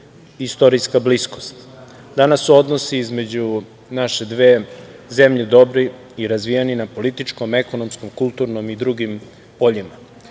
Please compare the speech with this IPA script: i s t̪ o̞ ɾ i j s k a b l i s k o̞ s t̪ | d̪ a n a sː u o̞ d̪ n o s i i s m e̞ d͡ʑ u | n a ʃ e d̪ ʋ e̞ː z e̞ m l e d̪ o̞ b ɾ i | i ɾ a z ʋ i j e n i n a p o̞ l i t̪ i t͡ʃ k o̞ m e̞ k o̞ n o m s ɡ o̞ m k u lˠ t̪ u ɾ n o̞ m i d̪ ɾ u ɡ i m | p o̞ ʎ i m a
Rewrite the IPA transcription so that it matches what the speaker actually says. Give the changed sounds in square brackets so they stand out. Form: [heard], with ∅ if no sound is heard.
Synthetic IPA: i s t̪ o̞ ɾ i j s k a b l i s k o̞ s t̪ | d̪ a n a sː u o̞ d̪ n o s i i [z] m e̞ d͡ʑ u | n a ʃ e d̪ ʋ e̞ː z e̞ m [ʎ] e d̪ o̞ b ɾ i | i ɾ a z ʋ i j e n i n a p o̞ l i t̪ i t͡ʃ k o̞ m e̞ k o̞ n o m s [k] o̞ m k u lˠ t̪ u ɾ n o̞ m i d̪ ɾ u ɡ i m | p o̞ ʎ i m a